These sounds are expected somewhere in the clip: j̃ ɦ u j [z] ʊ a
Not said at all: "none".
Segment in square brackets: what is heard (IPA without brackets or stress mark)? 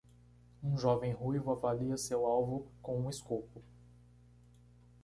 v